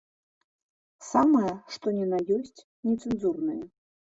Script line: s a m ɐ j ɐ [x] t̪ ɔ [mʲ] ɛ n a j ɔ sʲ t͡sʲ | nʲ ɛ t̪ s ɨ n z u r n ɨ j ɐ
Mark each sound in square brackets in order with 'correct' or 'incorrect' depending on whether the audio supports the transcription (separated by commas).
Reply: incorrect, incorrect